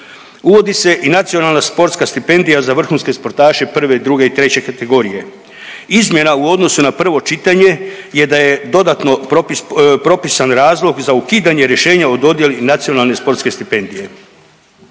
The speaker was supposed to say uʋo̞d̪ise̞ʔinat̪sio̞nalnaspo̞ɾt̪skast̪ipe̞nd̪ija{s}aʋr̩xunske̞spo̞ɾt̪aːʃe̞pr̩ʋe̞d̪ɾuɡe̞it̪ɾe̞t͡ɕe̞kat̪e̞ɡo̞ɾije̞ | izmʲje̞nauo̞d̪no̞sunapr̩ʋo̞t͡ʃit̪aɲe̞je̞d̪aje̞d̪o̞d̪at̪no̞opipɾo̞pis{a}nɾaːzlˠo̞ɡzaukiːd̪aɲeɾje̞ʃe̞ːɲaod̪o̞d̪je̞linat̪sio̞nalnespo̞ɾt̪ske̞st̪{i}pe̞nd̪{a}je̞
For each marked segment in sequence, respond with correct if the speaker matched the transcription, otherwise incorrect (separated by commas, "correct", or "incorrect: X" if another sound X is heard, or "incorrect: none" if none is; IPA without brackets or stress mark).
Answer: incorrect: z, correct, correct, incorrect: i